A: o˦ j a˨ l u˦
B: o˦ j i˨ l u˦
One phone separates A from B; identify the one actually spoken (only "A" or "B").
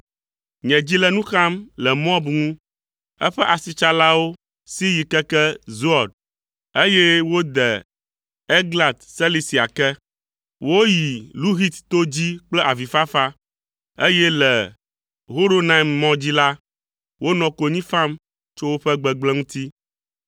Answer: B